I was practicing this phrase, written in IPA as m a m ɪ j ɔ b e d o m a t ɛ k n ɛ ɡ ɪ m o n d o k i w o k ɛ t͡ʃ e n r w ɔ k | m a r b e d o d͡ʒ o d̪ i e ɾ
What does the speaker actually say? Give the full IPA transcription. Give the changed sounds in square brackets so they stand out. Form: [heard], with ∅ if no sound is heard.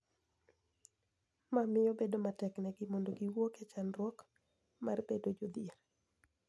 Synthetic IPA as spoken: m a m ɪ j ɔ b e d o m a t ɛ k n ɛ ɡ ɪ m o n d o [ɡ] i w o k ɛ t͡ʃ [a] n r w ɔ k | m a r b e d o d͡ʒ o d̪ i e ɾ